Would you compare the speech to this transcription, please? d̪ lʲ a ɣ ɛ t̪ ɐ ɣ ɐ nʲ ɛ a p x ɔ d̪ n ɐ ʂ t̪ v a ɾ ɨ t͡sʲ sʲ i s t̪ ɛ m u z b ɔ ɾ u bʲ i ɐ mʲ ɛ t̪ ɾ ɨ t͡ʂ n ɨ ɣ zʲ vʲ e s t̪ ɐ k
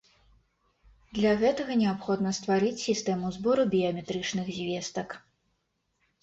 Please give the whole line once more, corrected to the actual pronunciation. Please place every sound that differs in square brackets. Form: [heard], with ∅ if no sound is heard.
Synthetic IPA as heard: d̪ lʲ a ɣ ɛ t̪ ɐ ɣ ɐ nʲ ɛ a p x ɔ d̪ n ɐ [s] t̪ v a ɾ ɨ t͡sʲ sʲ i s t̪ ɛ m u z b ɔ ɾ u bʲ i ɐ mʲ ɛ t̪ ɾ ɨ t͡ʂ n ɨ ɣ zʲ vʲ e s t̪ ɐ k